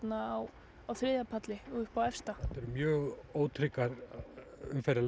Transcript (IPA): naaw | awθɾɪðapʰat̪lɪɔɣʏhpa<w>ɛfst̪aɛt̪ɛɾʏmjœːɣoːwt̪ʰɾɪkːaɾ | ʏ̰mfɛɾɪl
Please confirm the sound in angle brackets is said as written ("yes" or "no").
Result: yes